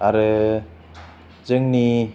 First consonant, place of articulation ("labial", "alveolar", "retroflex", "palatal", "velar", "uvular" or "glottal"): alveolar